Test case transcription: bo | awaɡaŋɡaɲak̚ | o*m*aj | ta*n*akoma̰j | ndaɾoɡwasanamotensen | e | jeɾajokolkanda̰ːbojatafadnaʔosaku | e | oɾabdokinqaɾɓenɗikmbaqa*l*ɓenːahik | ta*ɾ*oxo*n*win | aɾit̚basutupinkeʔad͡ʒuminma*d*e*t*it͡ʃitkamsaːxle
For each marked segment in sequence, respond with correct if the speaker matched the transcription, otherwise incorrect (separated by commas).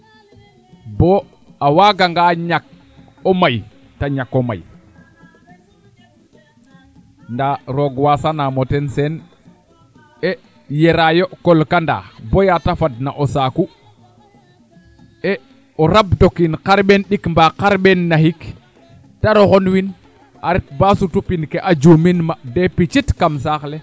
correct, incorrect, incorrect, correct, correct, correct, incorrect